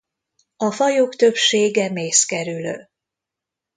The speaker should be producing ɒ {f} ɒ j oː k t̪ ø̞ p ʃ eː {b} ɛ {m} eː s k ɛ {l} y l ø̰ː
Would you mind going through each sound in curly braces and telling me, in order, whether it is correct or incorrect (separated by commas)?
correct, incorrect, correct, incorrect